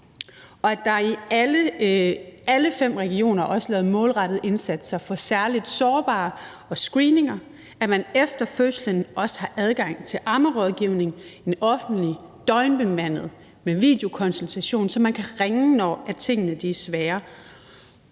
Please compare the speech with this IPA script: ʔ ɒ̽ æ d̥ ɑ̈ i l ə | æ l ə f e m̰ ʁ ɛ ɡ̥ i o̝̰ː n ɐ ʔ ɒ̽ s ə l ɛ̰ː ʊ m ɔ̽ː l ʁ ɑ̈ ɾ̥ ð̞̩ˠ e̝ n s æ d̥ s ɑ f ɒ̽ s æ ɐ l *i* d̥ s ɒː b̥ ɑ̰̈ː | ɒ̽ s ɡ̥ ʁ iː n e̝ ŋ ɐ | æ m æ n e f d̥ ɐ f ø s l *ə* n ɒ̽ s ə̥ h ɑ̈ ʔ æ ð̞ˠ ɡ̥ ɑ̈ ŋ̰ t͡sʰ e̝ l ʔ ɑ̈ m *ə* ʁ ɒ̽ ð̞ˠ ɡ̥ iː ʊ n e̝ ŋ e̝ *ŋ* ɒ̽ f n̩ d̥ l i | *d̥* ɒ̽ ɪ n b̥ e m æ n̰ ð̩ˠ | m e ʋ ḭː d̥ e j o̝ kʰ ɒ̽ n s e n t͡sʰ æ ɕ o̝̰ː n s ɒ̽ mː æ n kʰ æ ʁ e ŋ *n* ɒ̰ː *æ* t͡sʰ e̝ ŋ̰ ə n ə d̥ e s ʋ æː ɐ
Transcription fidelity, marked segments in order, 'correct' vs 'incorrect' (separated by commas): correct, correct, correct, incorrect, correct, correct, correct